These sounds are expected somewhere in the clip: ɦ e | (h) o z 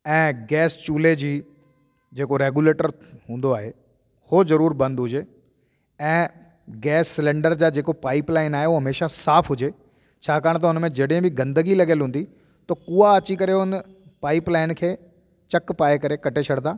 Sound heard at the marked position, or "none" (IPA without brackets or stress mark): h